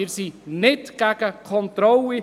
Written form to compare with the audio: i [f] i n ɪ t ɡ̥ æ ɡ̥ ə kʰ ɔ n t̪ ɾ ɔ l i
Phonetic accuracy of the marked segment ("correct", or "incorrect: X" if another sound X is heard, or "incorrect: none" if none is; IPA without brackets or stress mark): incorrect: s